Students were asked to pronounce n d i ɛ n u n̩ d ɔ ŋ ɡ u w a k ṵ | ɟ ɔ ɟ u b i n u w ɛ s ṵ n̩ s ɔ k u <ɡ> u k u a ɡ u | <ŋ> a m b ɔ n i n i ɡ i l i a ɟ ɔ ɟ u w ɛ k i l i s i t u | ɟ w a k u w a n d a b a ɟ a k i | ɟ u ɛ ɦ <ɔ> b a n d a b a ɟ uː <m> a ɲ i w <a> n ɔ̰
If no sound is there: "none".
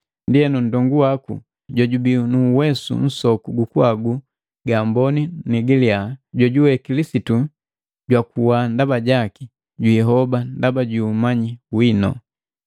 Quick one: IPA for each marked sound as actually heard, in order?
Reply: ɡ, ɡ, ɔ, m, i

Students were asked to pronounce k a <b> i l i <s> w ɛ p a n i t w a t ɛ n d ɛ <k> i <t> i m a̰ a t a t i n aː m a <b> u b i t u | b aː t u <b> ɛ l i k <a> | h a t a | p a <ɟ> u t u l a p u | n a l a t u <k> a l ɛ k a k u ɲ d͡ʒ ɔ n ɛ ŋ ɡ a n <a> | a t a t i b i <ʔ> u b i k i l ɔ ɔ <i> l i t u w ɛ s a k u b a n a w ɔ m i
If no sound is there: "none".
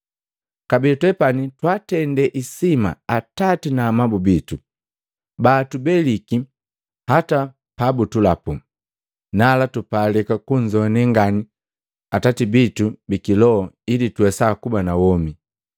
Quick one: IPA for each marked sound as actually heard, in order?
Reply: b, t, ʔ, s, b, b, i, b, p, i, t, i

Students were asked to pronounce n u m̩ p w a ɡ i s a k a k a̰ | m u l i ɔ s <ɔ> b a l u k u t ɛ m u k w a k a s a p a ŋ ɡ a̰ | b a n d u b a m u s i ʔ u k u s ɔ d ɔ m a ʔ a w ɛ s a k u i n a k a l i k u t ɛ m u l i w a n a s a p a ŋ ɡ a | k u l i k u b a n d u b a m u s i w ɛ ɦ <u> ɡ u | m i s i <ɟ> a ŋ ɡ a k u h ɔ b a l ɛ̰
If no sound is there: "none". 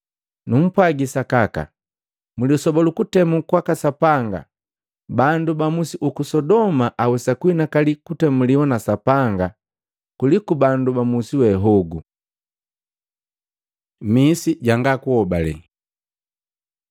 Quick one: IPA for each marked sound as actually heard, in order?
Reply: ɔ, ɔ, ɟ

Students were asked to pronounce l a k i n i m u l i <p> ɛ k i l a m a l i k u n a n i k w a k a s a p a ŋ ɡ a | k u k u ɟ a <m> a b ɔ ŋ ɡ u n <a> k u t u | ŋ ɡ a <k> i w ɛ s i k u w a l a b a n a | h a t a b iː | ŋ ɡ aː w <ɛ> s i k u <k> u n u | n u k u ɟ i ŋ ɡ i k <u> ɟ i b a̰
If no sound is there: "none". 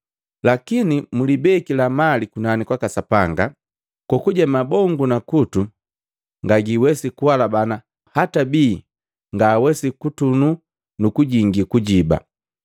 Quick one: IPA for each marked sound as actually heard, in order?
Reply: b, m, a, ɡ, ɛ, t, u

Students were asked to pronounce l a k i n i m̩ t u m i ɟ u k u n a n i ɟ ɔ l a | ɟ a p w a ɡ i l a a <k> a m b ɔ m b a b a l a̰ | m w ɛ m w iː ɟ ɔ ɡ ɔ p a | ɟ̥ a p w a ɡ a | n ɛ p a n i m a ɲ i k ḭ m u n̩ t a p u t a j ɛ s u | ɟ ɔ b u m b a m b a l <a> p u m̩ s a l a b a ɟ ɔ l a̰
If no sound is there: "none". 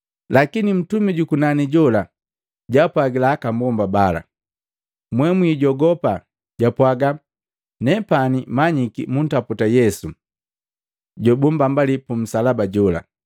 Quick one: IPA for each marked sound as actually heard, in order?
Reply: k, i

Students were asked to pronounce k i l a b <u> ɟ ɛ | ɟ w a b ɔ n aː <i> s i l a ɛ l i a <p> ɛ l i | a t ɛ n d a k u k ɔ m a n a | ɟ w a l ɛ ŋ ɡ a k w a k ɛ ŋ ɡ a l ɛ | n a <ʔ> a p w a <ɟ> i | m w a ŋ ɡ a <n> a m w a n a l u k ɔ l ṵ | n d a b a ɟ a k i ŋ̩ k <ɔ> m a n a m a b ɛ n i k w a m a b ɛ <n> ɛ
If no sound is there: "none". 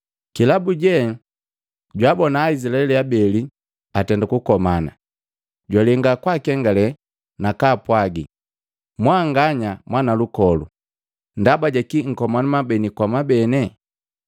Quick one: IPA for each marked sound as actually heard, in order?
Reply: u, i, b, k, ɡ, ɲ, ɔ, n

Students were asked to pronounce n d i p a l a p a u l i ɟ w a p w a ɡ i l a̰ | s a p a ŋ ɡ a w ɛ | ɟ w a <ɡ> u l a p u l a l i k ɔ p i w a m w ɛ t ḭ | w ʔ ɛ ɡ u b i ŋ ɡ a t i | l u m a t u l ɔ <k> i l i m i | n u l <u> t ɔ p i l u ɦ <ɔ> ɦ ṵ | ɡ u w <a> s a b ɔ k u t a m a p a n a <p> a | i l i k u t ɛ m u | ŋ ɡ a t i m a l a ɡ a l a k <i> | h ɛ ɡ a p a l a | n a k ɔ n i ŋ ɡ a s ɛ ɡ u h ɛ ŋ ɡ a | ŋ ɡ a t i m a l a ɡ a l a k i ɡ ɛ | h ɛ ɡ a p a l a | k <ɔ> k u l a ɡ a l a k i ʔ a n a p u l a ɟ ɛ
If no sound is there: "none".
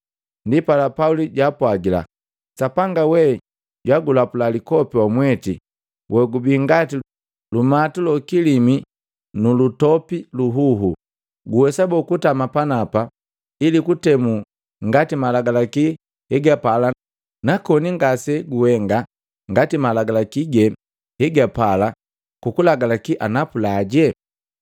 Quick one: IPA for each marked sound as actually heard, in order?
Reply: ɡ, k, u, u, ɛ, p, i, u

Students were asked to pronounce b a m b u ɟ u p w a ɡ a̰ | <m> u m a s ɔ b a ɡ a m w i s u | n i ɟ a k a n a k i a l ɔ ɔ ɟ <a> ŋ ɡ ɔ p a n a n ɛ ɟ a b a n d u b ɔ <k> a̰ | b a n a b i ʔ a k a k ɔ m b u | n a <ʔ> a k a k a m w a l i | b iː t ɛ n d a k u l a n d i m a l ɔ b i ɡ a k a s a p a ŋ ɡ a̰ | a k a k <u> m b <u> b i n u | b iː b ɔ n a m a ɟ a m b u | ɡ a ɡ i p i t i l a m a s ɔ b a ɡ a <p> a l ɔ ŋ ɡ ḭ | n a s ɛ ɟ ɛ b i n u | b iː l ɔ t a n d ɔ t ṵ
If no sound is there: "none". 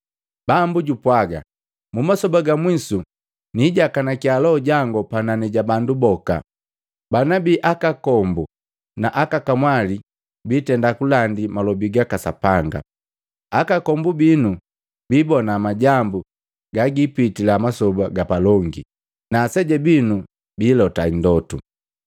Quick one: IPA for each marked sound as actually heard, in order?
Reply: m, a, k, ʔ, ɔ, u, p

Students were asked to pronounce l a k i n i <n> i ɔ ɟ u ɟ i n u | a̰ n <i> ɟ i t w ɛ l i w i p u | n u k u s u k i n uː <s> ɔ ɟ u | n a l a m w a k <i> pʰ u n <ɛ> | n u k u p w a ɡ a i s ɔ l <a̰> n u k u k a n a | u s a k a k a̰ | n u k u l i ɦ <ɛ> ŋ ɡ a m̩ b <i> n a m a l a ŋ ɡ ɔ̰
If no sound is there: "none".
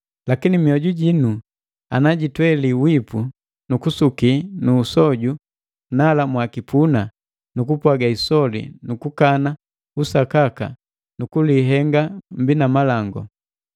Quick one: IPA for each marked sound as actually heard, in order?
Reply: m, a, s, i, a, ḭ, ɛ, i

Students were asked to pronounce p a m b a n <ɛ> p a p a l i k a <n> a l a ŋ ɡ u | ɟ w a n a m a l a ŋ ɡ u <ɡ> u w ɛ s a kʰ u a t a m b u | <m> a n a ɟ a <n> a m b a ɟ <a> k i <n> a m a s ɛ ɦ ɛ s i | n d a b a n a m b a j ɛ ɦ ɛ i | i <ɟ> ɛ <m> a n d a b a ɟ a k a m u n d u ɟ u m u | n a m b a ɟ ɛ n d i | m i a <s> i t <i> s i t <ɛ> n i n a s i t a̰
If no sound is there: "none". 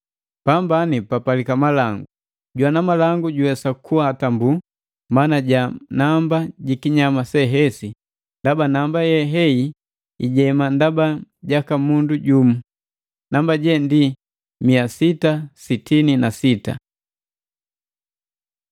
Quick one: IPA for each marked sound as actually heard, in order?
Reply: i, m, ɟ, m, n, i, ɲ, ɟ, m, s, a, i

